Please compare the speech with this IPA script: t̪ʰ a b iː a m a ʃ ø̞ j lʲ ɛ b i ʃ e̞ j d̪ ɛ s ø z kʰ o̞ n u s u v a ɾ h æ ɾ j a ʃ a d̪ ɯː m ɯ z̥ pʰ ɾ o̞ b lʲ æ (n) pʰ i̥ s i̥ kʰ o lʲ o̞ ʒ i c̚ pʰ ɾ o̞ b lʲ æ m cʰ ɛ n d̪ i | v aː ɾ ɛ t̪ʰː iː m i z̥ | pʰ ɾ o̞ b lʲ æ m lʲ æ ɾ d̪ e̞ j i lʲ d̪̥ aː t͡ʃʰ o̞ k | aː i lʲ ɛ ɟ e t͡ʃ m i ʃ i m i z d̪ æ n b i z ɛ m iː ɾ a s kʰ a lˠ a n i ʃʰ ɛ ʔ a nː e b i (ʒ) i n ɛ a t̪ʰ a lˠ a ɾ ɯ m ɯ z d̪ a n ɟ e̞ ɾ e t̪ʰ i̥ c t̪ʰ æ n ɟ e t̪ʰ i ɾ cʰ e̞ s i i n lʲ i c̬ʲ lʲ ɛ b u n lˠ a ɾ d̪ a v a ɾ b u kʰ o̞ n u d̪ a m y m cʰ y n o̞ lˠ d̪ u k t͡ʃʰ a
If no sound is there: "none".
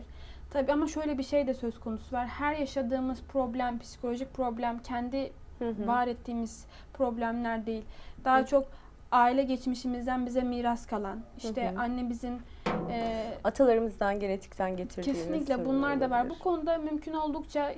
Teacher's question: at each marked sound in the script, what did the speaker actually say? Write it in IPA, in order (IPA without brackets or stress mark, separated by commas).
m, z